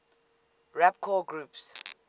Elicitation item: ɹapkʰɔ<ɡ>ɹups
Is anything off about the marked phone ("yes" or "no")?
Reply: no